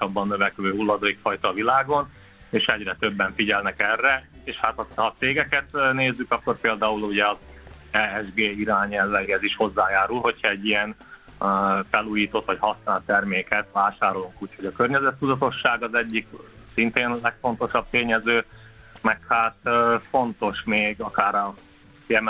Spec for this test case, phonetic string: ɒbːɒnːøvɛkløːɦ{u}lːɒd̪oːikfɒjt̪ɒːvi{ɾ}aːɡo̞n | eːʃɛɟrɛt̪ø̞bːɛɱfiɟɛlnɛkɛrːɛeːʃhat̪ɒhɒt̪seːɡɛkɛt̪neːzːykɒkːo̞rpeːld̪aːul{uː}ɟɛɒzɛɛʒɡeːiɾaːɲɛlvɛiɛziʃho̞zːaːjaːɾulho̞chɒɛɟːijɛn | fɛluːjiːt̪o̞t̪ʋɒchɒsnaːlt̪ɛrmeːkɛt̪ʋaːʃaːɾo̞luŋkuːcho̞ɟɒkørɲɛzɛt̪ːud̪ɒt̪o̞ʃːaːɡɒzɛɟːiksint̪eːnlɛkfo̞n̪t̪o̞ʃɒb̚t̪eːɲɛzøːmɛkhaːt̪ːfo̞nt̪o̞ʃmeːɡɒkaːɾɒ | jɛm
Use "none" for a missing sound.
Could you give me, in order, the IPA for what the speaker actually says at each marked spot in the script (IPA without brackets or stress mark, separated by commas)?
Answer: u, l, u